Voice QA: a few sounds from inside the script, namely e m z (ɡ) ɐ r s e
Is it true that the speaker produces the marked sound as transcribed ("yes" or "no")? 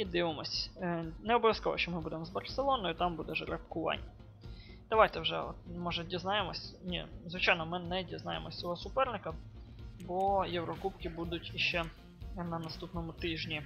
no